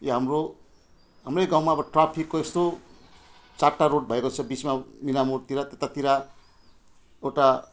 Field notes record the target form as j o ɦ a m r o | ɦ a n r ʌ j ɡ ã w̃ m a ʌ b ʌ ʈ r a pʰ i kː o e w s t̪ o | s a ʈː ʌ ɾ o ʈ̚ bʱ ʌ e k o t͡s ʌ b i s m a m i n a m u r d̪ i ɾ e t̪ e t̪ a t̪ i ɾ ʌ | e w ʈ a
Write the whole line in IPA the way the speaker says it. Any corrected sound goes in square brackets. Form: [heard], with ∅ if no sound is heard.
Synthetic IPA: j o ɦ a m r o | ɦ a [m] r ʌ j ɡ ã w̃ m a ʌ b ʌ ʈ r a pʰ i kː o e [∅] s t̪ o | [t͡s] a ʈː [a] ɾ o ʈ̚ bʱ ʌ e k o [t͡sʰ] ʌ b i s m a m i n a m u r [t̪] i ɾ [a] t̪ e t̪ a t̪ i ɾ [a] | e w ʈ a